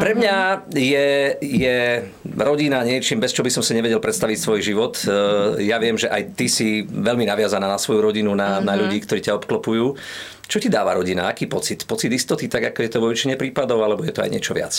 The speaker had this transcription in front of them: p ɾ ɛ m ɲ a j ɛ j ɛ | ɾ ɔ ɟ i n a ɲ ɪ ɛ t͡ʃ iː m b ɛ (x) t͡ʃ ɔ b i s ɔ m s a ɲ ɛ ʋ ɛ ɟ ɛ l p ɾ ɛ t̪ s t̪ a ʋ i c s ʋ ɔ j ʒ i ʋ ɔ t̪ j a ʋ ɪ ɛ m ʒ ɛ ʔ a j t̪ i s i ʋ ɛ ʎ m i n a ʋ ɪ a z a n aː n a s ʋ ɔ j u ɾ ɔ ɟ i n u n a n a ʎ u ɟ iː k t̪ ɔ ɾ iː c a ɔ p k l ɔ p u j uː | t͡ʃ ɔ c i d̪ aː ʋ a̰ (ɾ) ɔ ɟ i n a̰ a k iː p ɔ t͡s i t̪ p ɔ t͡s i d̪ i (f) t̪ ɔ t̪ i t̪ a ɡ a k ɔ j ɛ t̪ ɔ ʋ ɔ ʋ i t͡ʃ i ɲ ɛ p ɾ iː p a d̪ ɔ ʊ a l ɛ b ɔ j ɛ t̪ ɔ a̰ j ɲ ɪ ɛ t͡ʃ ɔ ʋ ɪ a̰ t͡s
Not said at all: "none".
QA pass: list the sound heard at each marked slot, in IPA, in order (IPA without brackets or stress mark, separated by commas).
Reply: s, ɾ, s